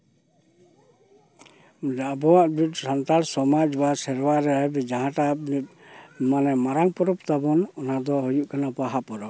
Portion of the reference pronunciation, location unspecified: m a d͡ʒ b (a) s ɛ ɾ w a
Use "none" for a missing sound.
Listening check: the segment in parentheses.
a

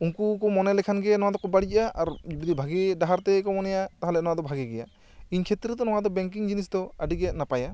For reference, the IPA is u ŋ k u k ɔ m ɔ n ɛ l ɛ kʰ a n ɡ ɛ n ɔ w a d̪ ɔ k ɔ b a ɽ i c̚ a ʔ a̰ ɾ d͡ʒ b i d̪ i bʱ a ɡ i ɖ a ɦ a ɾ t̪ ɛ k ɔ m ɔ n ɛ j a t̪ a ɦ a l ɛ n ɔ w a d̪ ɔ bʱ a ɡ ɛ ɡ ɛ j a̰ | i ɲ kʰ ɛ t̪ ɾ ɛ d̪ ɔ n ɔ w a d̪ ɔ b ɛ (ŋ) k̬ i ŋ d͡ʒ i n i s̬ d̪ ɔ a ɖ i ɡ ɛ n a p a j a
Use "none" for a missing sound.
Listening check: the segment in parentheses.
ŋ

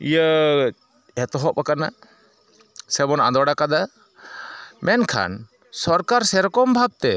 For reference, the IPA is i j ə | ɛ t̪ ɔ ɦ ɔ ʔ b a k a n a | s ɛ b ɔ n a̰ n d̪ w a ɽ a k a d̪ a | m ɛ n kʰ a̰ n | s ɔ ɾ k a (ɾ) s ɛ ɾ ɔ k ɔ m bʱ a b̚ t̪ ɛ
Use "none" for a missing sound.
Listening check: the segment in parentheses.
ɾ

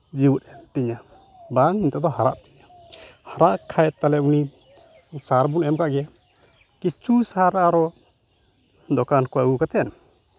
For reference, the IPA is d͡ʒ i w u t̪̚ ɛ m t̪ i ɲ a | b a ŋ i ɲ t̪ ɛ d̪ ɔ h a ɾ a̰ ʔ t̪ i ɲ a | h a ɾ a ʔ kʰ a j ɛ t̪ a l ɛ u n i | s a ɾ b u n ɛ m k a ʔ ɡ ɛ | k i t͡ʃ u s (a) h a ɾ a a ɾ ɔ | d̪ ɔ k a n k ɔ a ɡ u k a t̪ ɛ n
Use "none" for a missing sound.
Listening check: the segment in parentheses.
a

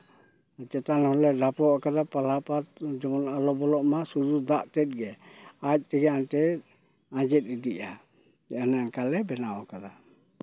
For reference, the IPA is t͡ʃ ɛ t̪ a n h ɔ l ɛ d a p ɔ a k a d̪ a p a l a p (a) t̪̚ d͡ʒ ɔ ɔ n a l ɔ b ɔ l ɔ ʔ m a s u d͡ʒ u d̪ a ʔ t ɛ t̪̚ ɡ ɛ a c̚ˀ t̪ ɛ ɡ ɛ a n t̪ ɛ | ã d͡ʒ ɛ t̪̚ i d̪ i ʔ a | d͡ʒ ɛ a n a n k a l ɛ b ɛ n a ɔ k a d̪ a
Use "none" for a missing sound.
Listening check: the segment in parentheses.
a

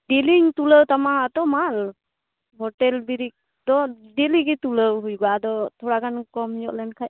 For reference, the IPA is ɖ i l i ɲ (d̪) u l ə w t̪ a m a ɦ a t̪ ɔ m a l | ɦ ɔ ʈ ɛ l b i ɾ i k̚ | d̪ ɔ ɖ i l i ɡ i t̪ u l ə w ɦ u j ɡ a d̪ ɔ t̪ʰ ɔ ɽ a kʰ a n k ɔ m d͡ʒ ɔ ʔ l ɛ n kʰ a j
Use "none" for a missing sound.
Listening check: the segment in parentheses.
t̪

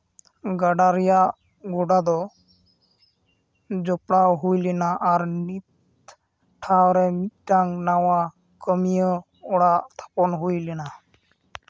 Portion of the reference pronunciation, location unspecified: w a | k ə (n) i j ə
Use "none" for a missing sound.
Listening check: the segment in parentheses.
m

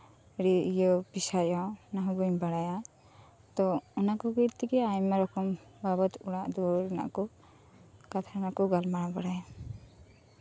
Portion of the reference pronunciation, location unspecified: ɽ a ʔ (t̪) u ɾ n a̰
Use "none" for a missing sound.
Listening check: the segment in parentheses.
d̪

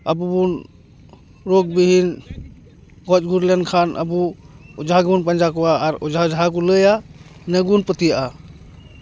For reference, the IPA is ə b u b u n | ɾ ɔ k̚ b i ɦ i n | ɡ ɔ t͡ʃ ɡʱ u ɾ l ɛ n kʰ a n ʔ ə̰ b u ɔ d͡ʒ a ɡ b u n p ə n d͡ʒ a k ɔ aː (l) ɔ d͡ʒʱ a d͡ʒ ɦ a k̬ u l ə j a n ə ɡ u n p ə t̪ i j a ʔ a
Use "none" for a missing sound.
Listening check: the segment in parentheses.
ɾ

